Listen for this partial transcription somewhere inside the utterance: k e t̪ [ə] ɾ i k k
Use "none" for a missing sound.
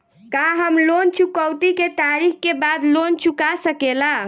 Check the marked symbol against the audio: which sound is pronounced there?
a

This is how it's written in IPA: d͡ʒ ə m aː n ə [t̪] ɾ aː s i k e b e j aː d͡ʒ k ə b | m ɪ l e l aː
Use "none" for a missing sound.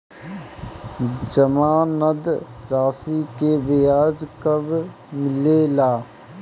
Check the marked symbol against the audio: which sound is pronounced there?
d̪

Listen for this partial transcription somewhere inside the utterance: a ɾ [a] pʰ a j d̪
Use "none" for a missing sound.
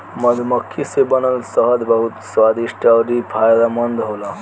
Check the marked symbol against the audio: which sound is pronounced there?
i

